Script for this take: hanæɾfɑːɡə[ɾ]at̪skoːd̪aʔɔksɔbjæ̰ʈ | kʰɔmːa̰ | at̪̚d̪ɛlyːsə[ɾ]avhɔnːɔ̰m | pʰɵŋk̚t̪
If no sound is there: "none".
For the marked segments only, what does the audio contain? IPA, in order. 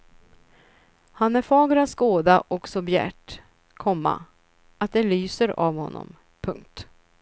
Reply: ɾ, ɾ

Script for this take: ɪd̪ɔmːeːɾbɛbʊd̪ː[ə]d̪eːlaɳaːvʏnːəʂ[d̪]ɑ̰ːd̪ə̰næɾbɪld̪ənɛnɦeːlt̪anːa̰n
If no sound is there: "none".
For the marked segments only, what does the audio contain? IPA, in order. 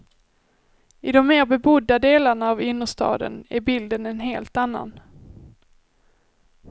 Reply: a, t̪

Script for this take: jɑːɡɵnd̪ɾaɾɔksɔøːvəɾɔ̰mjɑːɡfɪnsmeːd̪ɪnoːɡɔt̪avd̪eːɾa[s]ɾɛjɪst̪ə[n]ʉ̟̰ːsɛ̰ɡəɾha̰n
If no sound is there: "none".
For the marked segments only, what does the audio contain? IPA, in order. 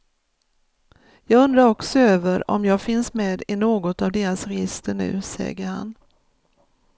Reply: s, ɳ

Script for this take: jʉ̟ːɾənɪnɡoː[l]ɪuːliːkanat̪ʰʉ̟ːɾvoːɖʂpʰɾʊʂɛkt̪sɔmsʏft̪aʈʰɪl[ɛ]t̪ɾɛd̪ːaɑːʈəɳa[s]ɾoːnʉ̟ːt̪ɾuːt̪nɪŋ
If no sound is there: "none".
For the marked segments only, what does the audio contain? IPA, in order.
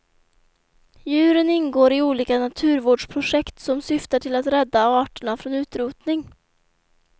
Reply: ɾ, a, f

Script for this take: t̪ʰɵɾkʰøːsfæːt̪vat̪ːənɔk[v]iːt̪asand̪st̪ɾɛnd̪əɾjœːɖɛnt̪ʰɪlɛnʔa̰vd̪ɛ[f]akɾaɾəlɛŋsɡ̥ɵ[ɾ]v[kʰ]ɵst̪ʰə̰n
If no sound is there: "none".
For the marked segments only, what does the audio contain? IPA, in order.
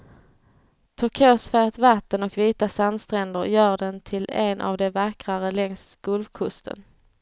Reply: v, v, l, kʰ

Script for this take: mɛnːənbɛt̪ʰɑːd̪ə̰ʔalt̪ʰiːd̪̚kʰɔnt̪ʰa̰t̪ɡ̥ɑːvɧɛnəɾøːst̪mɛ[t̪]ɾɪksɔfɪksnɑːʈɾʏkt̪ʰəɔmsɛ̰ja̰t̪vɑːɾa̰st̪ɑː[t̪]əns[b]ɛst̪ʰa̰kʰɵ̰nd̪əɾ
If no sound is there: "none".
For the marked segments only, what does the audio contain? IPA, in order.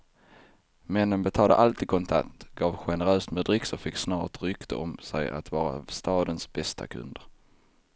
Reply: d̪, d̪, b

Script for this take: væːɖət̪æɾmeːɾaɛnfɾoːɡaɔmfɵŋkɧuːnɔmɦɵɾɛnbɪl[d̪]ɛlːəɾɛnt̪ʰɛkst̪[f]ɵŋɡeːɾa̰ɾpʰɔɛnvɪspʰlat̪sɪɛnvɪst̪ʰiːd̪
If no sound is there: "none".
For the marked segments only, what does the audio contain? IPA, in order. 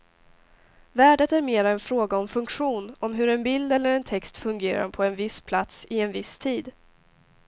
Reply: d̪, f

